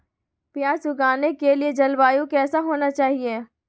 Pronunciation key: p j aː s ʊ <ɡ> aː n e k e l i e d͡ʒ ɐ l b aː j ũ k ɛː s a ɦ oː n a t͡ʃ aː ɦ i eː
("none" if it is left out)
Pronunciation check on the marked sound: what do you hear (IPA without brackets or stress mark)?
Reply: ɡ